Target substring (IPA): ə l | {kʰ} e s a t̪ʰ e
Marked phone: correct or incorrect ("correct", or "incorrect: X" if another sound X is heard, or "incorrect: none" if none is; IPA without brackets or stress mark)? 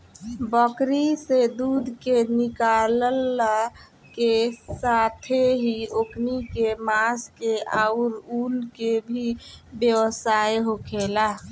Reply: incorrect: k